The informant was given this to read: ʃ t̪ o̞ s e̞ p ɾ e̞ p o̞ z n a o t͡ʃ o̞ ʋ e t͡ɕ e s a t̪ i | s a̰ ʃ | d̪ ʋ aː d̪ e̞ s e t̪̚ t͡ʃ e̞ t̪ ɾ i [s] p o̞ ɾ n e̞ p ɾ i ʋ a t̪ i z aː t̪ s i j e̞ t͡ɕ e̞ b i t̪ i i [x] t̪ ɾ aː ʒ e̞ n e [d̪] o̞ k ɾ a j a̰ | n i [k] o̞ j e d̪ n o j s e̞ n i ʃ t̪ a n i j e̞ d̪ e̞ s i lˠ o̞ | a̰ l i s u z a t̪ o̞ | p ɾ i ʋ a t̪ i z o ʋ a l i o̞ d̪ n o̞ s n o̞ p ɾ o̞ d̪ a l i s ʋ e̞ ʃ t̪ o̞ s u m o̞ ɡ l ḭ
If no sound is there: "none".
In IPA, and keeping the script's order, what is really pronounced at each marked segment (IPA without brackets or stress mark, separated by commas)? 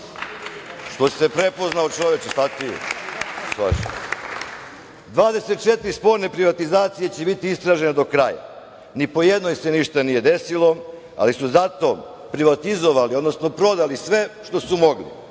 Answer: s, s, d̪, p